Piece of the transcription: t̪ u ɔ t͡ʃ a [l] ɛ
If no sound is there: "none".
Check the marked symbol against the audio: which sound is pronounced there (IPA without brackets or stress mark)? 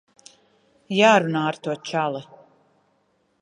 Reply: l